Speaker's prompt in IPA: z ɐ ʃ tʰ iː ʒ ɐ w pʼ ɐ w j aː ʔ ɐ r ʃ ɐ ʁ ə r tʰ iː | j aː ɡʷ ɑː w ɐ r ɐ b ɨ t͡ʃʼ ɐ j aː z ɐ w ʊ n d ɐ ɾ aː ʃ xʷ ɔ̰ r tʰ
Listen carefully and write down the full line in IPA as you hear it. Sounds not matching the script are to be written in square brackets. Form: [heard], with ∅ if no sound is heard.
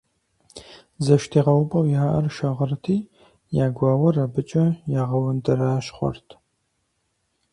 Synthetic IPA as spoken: z ɐ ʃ tʰ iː [ʁ] ɐ w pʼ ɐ w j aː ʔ ɐ r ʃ ɐ ʁ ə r tʰ iː | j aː ɡʷ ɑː w ɐ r ɐ b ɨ t͡ʃʼ ɐ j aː [ʁ] ɐ w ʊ n d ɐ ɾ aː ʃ [χʷ] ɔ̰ r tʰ